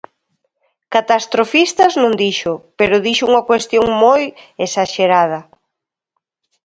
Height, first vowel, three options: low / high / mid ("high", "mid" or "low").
low